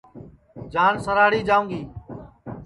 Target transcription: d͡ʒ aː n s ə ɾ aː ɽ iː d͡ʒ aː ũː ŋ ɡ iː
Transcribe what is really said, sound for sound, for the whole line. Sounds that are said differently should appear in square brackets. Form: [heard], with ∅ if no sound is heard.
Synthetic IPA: d͡ʒ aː n s ə ɾ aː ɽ iː d͡ʒ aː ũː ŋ ɡ iː